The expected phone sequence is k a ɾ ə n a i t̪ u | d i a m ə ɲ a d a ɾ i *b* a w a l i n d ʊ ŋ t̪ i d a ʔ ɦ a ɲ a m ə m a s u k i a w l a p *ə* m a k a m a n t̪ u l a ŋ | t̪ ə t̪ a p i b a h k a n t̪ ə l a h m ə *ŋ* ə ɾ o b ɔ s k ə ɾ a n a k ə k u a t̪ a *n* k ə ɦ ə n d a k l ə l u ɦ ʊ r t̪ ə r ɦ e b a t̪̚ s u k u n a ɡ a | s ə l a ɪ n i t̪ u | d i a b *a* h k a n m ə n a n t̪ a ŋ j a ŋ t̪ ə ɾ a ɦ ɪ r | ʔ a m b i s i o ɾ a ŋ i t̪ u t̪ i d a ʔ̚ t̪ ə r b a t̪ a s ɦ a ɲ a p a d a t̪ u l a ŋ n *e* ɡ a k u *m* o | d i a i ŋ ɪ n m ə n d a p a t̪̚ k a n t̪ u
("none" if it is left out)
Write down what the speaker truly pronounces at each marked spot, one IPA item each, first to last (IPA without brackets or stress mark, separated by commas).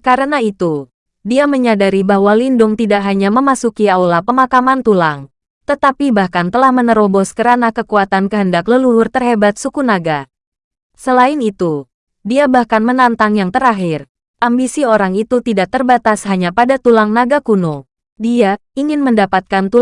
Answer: b, ə, n, n, a, a, n